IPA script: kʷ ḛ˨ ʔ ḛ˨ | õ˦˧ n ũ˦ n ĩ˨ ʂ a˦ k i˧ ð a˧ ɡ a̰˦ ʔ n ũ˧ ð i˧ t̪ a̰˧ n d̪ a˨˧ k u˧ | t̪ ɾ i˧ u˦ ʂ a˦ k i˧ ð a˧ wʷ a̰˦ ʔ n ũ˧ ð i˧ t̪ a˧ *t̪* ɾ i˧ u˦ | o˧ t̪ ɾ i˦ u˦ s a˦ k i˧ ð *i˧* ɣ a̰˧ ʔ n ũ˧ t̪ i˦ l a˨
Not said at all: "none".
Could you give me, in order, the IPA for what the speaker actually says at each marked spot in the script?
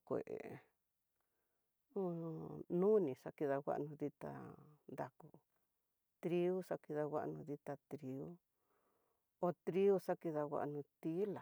t̪, a˧

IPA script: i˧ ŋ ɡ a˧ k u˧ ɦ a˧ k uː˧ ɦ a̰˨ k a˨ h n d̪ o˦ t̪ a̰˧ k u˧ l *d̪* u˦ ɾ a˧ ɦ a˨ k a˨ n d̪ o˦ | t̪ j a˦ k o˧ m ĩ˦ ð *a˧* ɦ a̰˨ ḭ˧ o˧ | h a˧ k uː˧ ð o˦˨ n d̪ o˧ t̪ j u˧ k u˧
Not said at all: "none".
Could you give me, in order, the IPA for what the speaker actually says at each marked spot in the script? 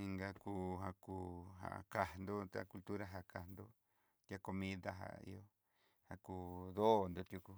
t̪, a˧

